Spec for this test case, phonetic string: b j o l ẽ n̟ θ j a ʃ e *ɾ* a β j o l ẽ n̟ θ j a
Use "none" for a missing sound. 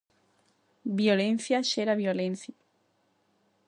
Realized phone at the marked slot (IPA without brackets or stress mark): ɾ